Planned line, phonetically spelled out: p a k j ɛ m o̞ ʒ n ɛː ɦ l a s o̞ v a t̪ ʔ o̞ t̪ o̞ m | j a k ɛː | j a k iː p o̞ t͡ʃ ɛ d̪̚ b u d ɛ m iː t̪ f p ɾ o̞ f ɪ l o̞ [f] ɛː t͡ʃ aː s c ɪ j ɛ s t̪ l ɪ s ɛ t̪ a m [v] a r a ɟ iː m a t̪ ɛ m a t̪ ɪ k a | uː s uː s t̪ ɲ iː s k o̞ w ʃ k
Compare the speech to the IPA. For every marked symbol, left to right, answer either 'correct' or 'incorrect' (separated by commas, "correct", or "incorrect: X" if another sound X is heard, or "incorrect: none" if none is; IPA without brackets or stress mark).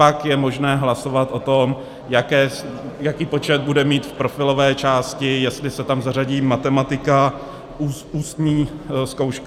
incorrect: v, incorrect: z